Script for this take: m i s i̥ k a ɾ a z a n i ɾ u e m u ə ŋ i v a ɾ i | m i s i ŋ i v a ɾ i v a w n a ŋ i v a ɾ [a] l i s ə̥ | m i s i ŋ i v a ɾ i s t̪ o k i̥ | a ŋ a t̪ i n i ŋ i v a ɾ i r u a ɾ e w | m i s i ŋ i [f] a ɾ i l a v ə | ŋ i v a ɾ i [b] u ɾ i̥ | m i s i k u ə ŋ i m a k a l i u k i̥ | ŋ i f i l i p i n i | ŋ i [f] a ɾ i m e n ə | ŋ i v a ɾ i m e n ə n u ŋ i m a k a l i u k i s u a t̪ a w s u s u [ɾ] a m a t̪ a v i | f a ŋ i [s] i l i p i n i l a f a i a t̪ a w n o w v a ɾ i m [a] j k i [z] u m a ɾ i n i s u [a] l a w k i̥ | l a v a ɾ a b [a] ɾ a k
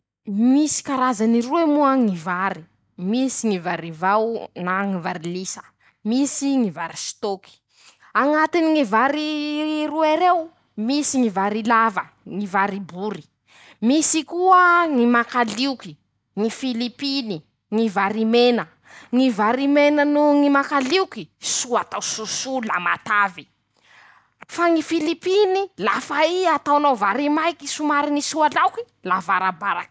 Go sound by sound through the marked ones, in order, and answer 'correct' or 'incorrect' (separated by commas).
incorrect, incorrect, correct, incorrect, incorrect, incorrect, correct, incorrect, correct, correct